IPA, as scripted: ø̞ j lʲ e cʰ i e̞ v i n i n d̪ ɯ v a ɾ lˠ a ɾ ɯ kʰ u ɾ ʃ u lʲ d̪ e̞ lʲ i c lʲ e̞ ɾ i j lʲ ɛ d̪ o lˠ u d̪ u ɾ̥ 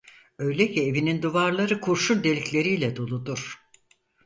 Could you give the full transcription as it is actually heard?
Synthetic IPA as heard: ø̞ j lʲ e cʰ i e̞ v i n i n d̪ u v a ɾ lˠ a ɾ ɯ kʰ u ɾ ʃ u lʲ d̪ e̞ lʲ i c lʲ e̞ ɾ i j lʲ ɛ d̪ o lˠ u d̪ u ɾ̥

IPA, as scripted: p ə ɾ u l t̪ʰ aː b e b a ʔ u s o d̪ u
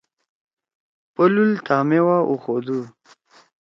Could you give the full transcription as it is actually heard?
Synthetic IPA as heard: p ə l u l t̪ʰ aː m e w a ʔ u x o d̪ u

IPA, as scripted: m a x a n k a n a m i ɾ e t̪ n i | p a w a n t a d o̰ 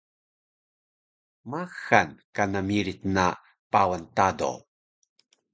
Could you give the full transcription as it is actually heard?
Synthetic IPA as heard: m a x a n k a n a m i ɾ i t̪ n a | p a w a n t a d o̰

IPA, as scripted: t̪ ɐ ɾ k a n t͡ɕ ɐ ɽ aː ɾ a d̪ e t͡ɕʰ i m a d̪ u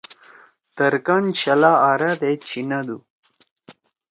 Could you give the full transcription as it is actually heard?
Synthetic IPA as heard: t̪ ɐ ɾ k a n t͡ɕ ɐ l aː ɾ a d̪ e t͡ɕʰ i n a d̪ u

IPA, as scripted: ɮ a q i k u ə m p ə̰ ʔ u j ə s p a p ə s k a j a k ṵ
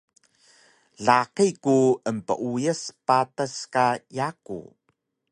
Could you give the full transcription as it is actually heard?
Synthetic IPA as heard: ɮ a q i k u ə m p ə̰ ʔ u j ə s p a t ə s k a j a k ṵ

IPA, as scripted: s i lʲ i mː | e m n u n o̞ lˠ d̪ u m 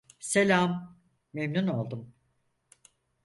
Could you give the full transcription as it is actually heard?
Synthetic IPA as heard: s e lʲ a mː | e m n u n o̞ lˠ d̪ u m

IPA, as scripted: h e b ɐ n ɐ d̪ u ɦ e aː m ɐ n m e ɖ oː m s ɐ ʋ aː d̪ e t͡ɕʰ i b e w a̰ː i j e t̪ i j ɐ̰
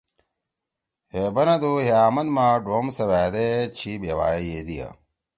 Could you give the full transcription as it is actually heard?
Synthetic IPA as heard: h e b ɐ n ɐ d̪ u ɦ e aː m ɐ n m a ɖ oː m s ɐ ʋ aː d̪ e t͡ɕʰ i b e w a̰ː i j e d̪ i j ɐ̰

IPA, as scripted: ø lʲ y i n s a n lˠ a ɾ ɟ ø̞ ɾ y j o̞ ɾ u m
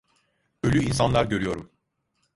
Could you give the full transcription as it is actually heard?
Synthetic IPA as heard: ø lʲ y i n s a n lˠ a ɾ ɟ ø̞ ɾ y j o̞ ɾ u m

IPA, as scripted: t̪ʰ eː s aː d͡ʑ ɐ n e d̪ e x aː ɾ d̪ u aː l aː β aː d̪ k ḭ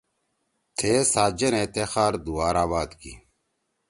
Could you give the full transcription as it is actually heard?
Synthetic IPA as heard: t̪ʰ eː s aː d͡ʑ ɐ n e t̪ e x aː ɾ d̪ u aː ɾ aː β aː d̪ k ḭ

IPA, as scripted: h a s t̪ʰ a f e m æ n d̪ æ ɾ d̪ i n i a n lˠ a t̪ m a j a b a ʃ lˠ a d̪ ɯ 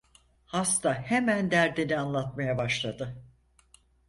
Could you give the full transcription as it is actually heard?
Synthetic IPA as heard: h a s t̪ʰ a h e m æ n d̪ æ ɾ d̪ i n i a n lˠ a t̪ m a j a b a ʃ lˠ a d̪ ɯ

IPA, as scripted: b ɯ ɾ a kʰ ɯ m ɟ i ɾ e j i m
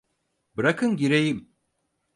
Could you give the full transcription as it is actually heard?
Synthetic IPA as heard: b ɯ ɾ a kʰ ɯ n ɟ i ɾ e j i m

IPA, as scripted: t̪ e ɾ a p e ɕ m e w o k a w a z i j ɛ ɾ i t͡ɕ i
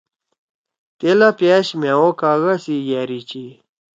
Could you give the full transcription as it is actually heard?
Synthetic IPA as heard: t̪ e l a p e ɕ m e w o k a ɣ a s i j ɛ ɾ i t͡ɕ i

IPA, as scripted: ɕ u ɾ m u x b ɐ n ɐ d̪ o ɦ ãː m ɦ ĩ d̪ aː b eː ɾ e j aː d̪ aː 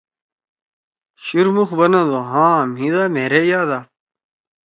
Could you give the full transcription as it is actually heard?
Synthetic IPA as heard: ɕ u ɾ m u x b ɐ n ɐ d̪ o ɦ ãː m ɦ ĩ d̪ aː m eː ɾ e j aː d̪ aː

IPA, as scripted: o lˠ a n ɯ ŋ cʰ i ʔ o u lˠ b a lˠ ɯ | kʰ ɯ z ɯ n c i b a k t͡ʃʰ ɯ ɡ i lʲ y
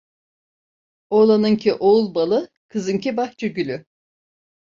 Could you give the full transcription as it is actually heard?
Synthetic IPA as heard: o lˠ a n ɯ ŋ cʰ i ʔ o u lˠ b a lˠ ɯ | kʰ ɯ z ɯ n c i b a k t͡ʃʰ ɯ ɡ y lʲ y

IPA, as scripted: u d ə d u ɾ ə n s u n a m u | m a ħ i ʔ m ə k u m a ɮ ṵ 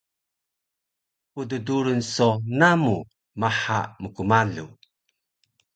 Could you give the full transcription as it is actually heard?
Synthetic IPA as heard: u d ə d u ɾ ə n s o n a m u | m a ħ a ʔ m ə k u m a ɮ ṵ

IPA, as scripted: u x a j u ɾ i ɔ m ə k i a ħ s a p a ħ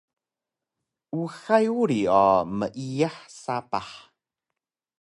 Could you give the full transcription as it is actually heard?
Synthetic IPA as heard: u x a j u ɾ i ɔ m ə ʔ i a ħ s a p a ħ

